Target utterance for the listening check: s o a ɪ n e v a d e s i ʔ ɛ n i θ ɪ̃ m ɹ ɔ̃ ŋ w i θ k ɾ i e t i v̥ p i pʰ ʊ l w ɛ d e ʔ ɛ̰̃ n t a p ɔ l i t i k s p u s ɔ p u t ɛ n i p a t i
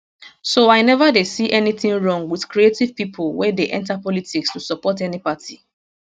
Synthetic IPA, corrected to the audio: s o a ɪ n ɛ v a d e s i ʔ ɛ n i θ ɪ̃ ŋ ɹ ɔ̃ ŋ w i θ k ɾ i e t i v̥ p i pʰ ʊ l w ɛ d e ʔ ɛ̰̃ n t a p ɔ l i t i k s t u s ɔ p ɔ t ɛ n i p a t i